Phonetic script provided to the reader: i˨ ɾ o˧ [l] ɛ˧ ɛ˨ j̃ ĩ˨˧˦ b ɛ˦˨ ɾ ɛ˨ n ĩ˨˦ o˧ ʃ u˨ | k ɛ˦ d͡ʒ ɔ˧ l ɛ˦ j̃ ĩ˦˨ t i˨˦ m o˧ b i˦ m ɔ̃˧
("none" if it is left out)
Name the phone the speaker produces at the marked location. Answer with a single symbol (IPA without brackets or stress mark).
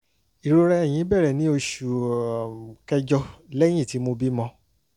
ɾ